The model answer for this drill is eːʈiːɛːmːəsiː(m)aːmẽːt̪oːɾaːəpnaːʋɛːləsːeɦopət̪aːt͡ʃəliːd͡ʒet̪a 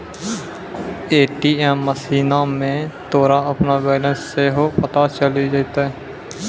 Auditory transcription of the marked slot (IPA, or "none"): n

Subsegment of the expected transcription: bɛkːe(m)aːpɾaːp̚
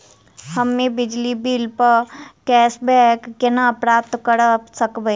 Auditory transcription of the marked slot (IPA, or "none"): n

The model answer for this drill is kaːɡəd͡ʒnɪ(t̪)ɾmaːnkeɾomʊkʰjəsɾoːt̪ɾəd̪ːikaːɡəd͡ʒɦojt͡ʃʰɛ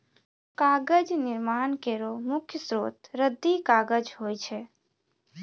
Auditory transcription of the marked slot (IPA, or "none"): none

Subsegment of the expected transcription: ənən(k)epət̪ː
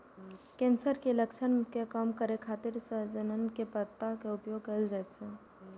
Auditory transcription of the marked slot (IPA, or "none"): k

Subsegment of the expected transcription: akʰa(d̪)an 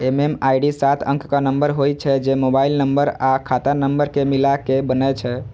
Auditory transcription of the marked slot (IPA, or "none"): t̪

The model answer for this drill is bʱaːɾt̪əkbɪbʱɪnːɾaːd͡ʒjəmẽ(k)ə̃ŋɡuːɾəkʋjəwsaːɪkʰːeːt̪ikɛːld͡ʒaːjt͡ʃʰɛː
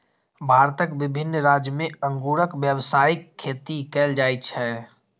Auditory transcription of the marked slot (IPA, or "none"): none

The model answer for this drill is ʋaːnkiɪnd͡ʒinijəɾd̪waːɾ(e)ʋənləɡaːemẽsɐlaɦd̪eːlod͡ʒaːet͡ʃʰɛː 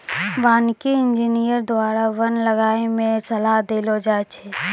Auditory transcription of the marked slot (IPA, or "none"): a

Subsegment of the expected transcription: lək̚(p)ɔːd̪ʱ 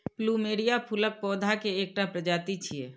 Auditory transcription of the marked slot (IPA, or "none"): p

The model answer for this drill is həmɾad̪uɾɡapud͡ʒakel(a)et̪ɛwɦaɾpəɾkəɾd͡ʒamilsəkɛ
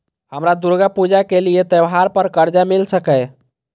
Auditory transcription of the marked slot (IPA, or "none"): i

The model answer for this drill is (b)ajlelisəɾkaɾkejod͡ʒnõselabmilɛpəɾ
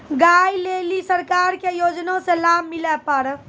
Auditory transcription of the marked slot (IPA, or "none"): ɡ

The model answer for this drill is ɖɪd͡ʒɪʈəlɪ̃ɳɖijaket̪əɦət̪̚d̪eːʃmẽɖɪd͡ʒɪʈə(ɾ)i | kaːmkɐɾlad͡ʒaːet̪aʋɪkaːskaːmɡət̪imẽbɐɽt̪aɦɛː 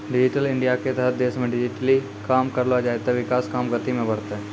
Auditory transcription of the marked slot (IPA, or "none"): l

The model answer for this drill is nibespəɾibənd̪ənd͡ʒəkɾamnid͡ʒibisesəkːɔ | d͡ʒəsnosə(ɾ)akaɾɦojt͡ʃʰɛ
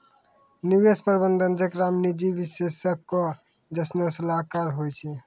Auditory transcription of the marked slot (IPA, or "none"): l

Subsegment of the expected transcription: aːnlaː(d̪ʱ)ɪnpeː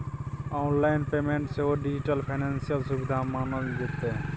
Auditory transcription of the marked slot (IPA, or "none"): none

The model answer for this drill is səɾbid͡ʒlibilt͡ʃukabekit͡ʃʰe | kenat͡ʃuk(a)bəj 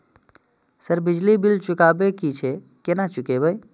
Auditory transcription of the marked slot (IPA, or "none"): e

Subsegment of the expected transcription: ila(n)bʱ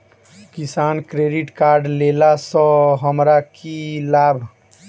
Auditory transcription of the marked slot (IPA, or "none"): none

